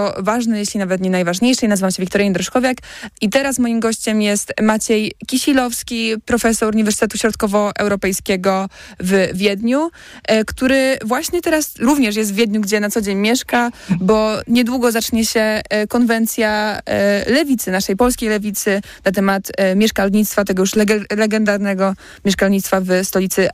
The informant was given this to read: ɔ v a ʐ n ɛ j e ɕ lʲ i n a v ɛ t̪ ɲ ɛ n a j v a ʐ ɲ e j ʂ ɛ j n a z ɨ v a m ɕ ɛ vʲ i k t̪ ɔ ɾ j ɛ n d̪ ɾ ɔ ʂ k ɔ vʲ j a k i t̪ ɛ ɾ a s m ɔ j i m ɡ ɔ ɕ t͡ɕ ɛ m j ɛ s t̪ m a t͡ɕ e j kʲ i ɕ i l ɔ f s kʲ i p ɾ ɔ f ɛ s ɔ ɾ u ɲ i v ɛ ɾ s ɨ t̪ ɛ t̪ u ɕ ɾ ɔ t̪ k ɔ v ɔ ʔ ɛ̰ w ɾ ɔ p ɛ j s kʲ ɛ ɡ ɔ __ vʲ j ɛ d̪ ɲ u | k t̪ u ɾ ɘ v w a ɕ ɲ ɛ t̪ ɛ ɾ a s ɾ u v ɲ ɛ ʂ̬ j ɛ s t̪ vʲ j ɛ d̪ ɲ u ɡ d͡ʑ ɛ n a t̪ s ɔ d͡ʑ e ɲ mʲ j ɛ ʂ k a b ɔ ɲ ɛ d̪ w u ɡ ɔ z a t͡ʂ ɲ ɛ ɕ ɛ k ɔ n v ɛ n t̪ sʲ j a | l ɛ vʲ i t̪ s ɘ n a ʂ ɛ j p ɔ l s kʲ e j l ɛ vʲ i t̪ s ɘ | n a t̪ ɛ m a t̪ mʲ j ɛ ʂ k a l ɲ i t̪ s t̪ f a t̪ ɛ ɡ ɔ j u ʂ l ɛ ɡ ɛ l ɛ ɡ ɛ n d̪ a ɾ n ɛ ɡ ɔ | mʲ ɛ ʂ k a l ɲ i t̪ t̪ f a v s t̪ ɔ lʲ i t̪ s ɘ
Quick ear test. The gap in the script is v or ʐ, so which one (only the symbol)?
v